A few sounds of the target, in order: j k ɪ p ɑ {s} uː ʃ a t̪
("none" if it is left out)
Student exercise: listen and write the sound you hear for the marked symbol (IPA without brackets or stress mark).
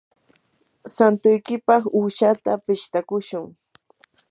χ